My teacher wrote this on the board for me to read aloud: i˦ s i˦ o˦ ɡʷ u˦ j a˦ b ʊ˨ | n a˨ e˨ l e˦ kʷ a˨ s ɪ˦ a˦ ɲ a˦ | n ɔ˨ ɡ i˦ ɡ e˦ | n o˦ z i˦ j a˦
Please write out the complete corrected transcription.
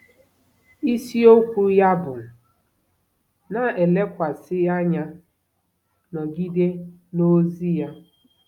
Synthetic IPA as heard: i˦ s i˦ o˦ kʷ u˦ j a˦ b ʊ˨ | n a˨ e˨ l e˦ kʷ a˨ s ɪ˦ a˦ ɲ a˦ | n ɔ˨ ɡ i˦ d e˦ | n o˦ z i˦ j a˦